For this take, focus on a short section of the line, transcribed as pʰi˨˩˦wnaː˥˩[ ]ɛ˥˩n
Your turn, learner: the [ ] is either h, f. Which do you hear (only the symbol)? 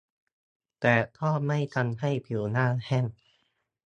h